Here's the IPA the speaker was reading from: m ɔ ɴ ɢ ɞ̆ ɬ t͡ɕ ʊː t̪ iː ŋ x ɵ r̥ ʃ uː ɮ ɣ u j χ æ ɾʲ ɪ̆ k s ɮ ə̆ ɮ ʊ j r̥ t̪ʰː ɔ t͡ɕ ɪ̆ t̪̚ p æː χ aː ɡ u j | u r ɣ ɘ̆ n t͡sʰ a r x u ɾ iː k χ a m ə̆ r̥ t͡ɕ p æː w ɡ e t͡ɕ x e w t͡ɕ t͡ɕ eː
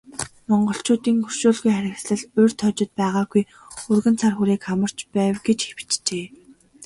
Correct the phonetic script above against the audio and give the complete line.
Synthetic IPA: m ɔ ɴ ɢ ɞ̆ ɬ t͡ɕ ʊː t̪ iː ŋ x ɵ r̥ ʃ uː ɮ ɣ u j χ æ ɾʲ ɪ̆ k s ɮ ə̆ ɮ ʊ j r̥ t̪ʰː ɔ t͡ɕ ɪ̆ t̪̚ p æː ʁ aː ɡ u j | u r ɣ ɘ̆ n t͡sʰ a r x u ɾ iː k χ a m ə̆ r̥ t͡ɕ p æː w ɡ e t͡ɕ x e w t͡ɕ t͡ɕ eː